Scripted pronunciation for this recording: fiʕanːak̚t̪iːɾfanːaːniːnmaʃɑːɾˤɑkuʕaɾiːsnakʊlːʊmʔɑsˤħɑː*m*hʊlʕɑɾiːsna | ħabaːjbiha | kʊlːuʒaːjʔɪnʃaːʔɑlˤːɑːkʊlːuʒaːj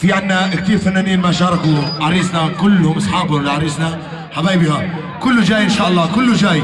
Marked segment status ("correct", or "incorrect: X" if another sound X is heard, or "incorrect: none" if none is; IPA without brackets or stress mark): incorrect: b